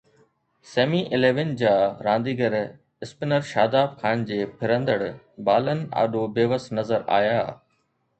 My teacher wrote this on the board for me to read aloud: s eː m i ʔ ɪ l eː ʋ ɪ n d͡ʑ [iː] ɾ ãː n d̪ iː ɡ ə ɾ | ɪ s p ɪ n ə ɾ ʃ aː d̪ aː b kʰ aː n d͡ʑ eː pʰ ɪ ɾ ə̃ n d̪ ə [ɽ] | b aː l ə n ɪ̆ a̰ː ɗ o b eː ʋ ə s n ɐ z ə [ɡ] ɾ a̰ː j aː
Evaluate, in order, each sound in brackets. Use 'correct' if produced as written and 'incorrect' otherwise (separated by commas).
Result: incorrect, correct, incorrect